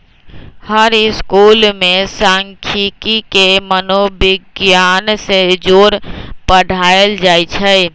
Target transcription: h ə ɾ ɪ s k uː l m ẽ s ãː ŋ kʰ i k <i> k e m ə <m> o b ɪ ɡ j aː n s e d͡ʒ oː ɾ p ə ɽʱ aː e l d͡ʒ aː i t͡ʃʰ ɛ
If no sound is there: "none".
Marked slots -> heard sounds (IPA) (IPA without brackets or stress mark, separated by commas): i, n